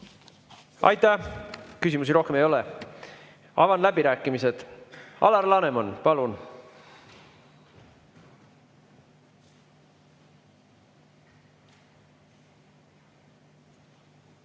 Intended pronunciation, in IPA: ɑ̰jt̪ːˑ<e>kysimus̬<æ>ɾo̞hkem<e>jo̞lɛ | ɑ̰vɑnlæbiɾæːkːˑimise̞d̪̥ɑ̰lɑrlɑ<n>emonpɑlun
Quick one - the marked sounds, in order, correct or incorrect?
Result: incorrect, incorrect, correct, correct

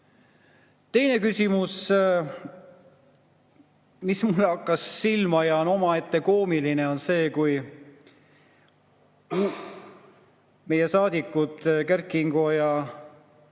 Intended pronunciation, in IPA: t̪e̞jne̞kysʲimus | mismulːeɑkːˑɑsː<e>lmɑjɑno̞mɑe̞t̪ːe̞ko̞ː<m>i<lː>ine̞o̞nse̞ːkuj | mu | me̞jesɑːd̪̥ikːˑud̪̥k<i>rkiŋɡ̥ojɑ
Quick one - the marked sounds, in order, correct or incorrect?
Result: incorrect, correct, incorrect, incorrect

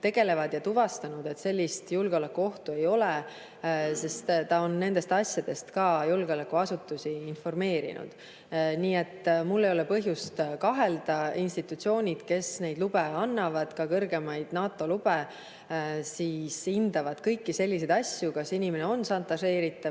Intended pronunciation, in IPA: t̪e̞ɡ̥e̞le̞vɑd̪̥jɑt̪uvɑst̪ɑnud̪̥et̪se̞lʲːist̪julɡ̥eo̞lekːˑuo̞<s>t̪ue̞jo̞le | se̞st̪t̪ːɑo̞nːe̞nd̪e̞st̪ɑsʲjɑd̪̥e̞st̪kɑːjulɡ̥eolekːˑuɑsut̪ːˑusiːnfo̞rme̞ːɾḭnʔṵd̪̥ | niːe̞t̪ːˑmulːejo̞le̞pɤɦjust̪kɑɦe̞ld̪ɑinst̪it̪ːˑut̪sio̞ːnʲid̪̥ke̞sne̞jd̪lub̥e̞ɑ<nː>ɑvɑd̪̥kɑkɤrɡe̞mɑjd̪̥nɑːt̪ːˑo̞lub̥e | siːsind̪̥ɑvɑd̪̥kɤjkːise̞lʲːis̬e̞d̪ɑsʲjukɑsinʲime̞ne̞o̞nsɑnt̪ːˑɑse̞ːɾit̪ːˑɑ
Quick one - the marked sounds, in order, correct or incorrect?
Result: incorrect, correct

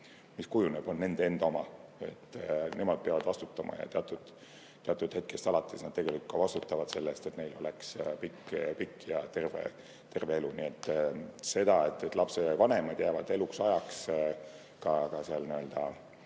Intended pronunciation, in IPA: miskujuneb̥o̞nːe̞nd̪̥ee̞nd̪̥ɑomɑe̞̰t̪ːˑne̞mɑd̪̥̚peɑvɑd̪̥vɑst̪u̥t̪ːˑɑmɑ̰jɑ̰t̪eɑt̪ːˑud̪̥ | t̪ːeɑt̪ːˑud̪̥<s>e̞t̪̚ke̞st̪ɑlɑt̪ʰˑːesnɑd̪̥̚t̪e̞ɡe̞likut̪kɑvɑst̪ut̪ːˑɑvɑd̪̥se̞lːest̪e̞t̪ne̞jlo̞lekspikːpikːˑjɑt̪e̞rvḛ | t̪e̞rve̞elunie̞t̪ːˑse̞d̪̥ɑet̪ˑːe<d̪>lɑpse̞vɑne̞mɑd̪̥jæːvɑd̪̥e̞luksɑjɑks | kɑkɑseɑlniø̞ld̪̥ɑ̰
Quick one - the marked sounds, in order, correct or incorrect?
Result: incorrect, incorrect

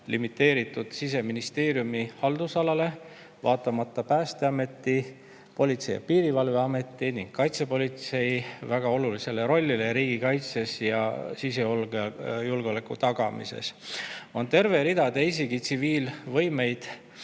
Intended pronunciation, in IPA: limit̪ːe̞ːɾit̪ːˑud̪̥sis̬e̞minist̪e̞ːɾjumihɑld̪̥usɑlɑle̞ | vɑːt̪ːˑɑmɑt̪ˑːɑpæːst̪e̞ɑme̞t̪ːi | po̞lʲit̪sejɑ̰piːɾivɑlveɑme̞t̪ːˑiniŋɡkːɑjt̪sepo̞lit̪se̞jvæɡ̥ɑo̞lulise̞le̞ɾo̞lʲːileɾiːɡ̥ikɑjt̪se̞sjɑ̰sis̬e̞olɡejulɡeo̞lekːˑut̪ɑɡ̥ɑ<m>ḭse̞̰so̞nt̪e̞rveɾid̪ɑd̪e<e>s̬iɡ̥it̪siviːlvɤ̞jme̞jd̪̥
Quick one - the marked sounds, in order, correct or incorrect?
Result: correct, incorrect

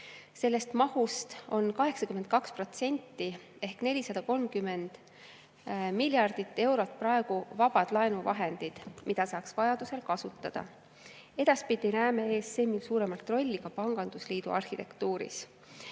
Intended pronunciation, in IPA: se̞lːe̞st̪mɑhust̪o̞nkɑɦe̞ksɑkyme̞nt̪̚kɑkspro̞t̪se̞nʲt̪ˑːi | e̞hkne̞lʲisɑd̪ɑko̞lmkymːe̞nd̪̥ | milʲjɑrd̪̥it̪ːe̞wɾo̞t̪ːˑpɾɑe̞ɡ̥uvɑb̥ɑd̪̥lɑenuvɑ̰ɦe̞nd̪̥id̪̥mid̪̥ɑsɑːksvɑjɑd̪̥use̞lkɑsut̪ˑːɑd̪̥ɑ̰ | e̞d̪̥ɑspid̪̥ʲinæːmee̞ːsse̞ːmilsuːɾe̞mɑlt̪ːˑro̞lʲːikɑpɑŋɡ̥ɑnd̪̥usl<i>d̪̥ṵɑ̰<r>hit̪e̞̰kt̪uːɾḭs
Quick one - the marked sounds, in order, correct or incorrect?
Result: incorrect, correct

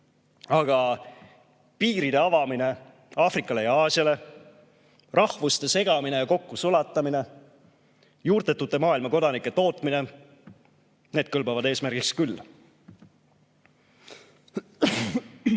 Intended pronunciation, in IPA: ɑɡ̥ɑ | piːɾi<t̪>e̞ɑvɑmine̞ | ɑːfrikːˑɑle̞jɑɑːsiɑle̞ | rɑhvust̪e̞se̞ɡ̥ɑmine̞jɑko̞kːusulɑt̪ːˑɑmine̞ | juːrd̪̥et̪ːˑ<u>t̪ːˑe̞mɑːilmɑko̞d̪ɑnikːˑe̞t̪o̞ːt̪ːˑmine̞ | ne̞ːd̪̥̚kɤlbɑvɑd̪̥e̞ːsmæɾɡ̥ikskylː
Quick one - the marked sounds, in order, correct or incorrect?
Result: incorrect, correct

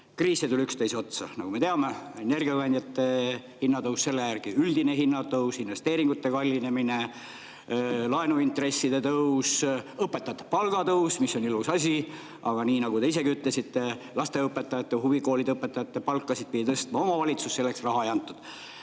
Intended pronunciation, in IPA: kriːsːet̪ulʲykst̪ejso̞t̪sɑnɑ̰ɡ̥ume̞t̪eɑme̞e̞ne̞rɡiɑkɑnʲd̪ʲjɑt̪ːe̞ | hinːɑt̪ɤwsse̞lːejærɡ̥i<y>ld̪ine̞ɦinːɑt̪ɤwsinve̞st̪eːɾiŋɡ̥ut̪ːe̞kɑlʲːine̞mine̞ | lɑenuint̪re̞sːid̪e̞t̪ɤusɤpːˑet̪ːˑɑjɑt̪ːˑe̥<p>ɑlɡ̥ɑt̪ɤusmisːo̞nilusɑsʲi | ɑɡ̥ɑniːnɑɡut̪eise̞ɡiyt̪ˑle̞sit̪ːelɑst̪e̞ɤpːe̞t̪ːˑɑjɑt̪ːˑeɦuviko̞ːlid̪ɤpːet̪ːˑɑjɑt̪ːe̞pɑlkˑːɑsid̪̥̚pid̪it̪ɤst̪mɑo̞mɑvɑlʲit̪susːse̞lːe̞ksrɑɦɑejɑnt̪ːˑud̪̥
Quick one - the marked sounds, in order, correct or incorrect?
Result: correct, correct

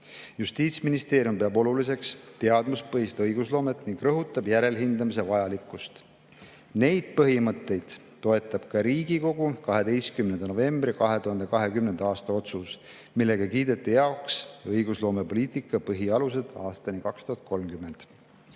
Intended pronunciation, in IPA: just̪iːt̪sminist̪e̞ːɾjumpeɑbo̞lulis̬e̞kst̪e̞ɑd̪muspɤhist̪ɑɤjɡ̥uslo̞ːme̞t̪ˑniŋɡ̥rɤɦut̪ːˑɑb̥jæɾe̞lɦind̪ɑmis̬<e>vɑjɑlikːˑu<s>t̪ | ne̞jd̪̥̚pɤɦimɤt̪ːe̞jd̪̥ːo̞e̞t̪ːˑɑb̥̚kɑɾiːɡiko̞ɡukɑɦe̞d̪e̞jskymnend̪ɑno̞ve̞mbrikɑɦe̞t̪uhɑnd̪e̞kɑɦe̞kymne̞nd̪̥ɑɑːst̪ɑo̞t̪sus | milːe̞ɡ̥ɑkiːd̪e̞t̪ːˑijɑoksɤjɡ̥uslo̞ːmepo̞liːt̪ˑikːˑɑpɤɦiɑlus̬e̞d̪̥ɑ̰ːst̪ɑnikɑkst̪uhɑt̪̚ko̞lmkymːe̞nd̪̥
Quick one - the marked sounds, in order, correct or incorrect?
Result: correct, correct

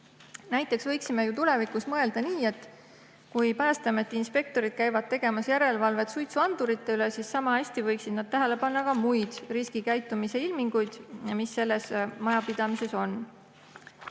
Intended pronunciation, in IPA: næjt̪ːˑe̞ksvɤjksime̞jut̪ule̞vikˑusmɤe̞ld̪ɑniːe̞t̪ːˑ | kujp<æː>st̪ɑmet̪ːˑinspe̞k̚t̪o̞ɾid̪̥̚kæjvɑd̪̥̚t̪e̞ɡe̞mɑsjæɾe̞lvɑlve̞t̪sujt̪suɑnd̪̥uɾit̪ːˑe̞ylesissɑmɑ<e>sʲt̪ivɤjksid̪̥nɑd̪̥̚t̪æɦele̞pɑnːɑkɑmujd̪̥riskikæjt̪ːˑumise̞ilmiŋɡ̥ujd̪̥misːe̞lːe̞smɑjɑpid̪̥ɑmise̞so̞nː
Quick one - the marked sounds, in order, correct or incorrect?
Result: correct, incorrect

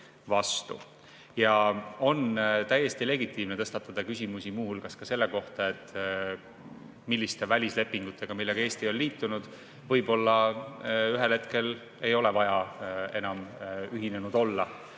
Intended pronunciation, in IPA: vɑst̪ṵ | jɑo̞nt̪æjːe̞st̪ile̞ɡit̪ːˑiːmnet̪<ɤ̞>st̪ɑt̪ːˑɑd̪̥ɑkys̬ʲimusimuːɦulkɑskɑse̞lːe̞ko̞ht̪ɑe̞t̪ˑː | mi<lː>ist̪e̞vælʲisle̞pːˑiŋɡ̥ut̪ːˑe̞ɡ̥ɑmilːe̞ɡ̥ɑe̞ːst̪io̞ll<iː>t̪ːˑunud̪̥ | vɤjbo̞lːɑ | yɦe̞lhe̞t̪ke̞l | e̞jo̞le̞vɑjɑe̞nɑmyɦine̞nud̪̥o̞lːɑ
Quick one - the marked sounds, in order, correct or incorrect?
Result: correct, correct, correct

